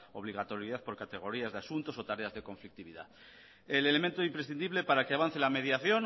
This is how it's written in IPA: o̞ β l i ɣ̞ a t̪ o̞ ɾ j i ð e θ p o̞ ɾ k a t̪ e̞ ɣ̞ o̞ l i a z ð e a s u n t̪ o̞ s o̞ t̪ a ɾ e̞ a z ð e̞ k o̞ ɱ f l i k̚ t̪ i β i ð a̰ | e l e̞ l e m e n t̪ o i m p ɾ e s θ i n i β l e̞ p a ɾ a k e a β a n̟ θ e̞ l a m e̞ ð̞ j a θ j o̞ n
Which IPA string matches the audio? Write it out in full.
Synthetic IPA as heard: o̞ β l i ɣ̞ a t̪ o̞ ɾ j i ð a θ p o̞ ɾ k a t̪ e̞ ɣ̞ o̞ ɾ i a z ð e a s u n t̪ o̞ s o̞ t̪ a ɾ e̞ a z ð e̞ k o̞ ɱ f l i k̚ t̪ i β i ð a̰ | e l e̞ l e m e n t̪ o i m p ɾ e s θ i n i β l e̞ p a ɾ a k e a β a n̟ θ e̞ l a m e̞ ð̞ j a θ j o̞ n